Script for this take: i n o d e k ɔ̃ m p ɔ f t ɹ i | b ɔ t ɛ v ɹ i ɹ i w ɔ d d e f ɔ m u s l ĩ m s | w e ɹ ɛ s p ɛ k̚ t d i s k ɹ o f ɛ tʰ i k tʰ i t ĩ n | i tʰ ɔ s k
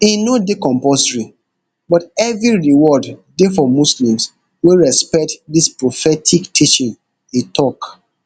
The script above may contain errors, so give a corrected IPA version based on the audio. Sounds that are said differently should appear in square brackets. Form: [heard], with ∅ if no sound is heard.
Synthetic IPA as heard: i n o d e k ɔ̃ m p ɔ [s] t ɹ i | b ɔ t ɛ v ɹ i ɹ i w ɔ d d e f ɔ m u s l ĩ m s | w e ɹ ɛ s p ɛ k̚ t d i s [p] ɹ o f ɛ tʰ i k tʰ i [t͡ʃ] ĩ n | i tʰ ɔ [∅] k